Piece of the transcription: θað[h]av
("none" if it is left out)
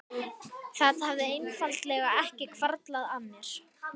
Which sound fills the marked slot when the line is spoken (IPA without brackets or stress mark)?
h